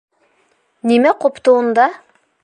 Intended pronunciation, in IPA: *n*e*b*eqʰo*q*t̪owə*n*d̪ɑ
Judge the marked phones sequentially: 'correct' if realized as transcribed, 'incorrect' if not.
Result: correct, incorrect, incorrect, correct

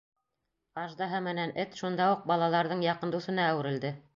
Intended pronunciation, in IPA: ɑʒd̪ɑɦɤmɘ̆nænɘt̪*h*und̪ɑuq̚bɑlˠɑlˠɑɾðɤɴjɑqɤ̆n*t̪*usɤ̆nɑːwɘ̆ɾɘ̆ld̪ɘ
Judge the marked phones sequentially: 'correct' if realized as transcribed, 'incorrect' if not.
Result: incorrect, incorrect

